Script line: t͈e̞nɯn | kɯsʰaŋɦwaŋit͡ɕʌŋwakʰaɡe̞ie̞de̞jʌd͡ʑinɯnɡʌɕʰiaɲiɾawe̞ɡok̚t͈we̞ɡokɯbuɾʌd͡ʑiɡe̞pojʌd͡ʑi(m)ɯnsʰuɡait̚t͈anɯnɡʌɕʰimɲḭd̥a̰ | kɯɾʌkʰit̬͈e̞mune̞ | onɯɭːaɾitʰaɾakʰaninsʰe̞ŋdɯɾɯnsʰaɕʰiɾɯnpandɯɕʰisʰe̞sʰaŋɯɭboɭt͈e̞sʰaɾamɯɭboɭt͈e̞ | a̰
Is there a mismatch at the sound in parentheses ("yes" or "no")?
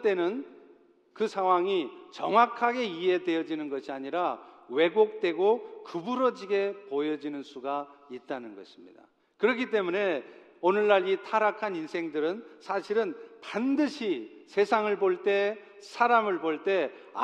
yes